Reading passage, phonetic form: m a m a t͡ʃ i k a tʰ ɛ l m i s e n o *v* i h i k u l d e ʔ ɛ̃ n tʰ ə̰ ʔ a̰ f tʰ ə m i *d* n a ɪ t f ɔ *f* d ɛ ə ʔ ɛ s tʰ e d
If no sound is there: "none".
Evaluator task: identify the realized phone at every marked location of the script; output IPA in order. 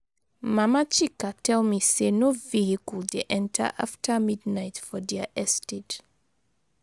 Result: v, d, none

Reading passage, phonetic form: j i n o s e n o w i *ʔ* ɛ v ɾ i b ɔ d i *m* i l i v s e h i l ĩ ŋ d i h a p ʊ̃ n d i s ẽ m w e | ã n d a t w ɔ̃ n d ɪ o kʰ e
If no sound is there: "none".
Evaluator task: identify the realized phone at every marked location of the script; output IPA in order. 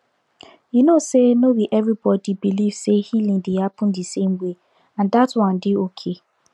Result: ʔ, b

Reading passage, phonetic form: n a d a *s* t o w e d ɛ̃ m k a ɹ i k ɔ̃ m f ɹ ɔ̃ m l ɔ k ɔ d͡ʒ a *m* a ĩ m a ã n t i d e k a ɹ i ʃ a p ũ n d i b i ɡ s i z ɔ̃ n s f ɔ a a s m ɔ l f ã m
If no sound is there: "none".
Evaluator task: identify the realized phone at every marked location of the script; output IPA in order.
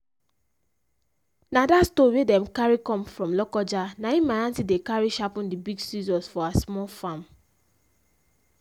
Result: s, n

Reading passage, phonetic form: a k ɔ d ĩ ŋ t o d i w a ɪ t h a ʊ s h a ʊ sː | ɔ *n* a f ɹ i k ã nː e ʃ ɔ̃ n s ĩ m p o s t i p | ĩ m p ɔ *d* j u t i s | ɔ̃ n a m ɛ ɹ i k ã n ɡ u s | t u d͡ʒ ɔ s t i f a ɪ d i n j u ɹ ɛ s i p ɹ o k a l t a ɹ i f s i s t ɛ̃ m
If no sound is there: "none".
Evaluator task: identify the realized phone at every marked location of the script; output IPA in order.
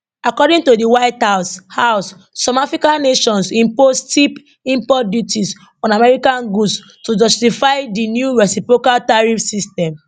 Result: m, d

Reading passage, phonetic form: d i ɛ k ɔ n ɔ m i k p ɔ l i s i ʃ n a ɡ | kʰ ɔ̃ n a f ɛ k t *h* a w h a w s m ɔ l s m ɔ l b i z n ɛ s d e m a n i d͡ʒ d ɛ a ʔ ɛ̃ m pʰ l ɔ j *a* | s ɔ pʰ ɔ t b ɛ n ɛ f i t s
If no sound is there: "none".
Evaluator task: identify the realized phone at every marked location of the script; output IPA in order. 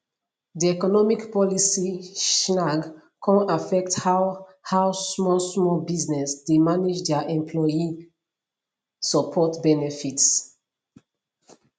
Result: h, i

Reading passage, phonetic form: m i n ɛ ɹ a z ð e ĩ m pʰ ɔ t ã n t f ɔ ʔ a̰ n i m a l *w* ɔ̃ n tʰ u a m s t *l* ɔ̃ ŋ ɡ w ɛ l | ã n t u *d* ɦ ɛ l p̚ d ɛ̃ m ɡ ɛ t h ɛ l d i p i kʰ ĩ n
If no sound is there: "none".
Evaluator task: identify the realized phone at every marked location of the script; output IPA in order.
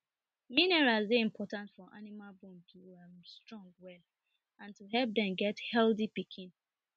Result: b, ɹ, none

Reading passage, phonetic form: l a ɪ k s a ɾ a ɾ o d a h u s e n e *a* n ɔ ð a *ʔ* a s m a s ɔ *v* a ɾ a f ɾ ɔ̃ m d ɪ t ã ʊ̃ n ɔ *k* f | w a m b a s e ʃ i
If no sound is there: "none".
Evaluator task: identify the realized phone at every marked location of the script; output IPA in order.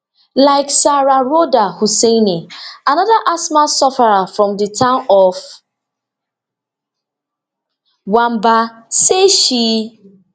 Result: a, ʔ, f, none

